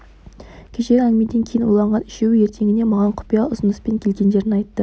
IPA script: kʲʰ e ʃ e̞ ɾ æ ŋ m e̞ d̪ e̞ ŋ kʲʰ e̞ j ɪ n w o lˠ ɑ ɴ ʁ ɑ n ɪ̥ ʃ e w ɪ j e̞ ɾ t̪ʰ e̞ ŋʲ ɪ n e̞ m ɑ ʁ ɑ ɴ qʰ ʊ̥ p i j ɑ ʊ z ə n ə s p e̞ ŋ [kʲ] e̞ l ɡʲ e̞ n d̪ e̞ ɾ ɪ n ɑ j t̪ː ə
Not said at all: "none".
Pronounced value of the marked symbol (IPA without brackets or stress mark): kʲʰ